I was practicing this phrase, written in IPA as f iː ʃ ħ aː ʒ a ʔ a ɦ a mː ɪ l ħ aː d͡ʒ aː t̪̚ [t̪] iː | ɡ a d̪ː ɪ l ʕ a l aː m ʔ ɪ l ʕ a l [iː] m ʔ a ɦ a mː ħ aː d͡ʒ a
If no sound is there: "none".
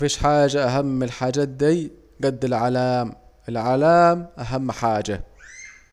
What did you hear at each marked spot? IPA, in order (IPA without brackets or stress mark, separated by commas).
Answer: d̪, aː